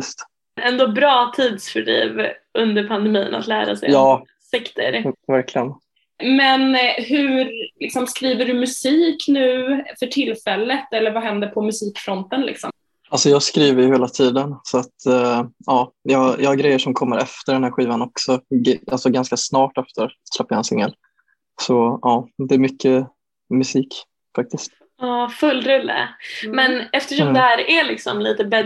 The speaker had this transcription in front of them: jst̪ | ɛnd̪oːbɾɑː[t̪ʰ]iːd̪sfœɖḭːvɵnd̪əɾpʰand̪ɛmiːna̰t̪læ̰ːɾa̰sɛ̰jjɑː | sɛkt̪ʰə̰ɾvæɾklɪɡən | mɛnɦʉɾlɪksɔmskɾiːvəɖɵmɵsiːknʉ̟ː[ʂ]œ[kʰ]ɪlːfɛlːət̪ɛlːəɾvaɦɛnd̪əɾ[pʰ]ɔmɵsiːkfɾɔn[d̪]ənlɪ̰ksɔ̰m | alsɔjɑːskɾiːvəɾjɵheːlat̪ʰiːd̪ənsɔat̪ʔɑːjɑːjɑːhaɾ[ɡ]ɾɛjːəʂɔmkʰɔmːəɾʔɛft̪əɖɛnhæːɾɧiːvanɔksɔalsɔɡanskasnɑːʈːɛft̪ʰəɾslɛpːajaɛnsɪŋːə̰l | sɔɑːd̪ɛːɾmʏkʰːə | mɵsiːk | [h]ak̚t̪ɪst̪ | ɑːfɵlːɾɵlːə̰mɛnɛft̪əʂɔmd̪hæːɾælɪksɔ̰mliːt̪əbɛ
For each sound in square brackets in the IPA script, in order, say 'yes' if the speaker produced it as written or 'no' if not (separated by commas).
yes, no, no, yes, no, yes, no